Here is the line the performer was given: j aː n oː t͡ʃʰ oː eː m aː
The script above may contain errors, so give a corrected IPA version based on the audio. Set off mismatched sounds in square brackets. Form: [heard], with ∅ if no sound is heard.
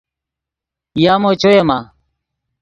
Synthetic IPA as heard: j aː [m] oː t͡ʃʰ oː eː m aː